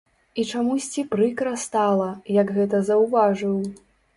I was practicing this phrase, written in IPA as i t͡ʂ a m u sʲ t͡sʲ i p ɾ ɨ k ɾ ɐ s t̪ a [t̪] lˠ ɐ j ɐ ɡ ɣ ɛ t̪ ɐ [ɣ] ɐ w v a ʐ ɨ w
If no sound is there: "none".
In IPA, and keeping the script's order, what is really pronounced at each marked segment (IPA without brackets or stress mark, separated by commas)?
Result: none, z